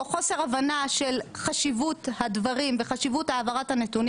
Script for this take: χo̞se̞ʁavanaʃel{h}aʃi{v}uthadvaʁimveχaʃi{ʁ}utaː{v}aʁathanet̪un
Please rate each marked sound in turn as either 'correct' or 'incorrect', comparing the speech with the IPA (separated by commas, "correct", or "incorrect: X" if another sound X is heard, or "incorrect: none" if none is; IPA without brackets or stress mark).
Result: incorrect: χ, correct, incorrect: v, correct